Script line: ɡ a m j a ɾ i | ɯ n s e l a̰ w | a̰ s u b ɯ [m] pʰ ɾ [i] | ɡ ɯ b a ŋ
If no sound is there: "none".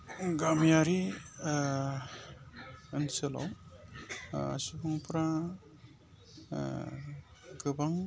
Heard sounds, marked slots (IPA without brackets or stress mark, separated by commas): ŋ, a